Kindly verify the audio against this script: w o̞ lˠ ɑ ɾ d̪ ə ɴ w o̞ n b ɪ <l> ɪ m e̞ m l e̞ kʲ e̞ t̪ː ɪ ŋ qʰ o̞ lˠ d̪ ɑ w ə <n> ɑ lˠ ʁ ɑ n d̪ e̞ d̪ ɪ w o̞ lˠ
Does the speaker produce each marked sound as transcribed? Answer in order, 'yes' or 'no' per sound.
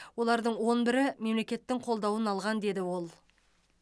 no, yes

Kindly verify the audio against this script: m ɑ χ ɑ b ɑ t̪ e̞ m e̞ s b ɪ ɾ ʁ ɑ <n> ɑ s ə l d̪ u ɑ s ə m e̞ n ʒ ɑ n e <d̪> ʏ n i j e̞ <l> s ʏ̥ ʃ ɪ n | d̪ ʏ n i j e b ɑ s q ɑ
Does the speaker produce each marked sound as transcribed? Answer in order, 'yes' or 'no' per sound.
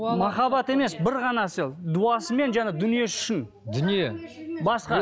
yes, yes, no

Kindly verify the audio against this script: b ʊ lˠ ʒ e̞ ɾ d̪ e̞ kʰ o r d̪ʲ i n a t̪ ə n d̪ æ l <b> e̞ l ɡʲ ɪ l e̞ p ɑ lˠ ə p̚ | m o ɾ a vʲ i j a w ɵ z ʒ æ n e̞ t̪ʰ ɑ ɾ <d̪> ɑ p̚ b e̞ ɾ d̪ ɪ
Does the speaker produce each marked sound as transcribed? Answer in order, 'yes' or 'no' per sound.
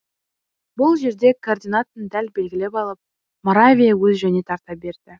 yes, no

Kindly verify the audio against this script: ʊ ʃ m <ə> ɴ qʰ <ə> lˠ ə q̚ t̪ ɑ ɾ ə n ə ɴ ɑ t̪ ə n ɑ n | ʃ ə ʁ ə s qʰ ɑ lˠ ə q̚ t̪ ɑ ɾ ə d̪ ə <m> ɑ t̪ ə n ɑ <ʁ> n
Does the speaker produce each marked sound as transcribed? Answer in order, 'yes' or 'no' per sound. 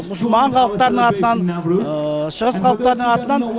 no, no, no, no

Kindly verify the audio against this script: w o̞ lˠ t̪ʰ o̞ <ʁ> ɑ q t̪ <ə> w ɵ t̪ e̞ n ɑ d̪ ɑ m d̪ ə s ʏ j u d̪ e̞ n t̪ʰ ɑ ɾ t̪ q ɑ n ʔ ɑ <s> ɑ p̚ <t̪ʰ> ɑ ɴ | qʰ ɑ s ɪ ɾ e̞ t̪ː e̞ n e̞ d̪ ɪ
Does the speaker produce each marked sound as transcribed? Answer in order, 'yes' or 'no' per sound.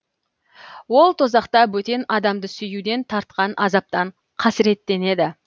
no, no, no, no

